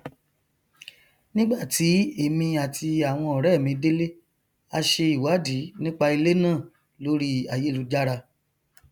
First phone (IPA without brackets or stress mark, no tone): n